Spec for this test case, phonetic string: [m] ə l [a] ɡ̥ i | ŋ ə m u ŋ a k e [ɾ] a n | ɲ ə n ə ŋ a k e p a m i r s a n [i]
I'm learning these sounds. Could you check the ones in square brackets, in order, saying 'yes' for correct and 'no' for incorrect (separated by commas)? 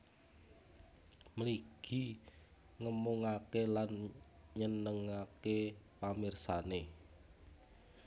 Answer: yes, no, no, no